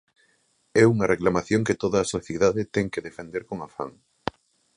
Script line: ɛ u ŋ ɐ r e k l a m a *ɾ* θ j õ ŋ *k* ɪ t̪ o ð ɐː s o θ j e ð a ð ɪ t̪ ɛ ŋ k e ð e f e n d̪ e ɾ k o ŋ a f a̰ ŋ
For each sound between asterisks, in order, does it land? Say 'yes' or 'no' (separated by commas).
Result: no, yes